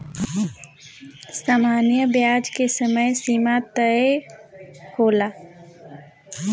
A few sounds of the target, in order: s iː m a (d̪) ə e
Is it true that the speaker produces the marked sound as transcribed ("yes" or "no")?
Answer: no